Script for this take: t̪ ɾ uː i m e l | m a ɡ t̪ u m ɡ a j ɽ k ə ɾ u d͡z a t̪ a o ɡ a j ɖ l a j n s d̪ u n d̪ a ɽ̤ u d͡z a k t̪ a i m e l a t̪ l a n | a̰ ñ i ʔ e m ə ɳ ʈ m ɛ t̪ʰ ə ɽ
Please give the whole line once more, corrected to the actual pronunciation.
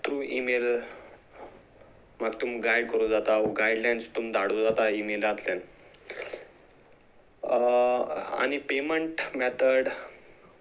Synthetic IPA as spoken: t̪ ɾ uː i m e l | m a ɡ t̪ u m ɡ a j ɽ k ə ɾ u d͡z a t̪ a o ɡ a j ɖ l a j n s t̪ u m d̪ a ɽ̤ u d͡z a t̪ a i m e l a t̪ l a n | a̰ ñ i p e m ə ɳ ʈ m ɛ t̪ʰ ə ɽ